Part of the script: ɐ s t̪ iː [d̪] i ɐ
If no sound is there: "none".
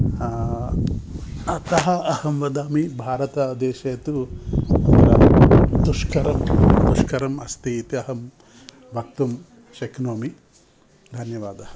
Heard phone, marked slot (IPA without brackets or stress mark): t̪